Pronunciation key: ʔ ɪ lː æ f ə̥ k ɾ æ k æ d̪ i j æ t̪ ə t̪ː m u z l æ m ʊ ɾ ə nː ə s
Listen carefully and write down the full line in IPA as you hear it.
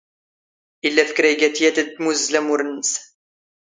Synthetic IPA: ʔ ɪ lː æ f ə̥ k ɾ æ ɡ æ t̪ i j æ t̪ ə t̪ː m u z l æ m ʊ ɾ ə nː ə s